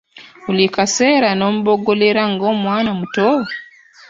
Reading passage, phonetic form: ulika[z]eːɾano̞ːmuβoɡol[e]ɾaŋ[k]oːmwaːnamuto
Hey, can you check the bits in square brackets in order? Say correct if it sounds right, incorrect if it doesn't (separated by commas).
incorrect, correct, incorrect